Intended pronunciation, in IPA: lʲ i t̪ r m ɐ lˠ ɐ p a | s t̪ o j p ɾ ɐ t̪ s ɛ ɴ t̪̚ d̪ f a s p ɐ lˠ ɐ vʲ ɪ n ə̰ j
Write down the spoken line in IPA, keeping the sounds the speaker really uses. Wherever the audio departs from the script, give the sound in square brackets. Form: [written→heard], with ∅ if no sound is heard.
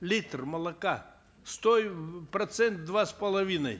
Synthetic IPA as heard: lʲ i t̪ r m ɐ lˠ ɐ [p→k] a | s t̪ o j p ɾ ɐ t̪ s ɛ [ɴ→n] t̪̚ d̪ [f→v] a s p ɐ lˠ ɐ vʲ [ɪ→i] n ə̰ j